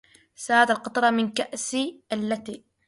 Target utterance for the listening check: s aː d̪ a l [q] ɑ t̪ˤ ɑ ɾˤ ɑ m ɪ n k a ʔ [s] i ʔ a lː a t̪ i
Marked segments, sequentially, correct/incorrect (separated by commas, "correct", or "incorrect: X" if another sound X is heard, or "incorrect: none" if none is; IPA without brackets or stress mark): correct, correct